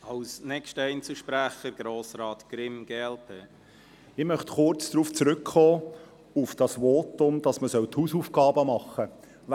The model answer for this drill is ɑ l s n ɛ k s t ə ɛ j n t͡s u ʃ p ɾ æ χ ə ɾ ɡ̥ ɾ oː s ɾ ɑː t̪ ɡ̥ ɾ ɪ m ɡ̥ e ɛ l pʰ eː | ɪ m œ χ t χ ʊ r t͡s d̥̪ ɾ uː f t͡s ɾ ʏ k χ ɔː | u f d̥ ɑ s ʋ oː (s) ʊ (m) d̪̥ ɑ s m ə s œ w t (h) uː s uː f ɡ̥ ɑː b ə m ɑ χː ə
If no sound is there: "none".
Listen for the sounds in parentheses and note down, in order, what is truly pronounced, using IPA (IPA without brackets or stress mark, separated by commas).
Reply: t, m, h